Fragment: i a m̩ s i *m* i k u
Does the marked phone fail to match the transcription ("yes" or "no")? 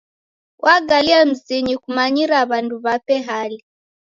yes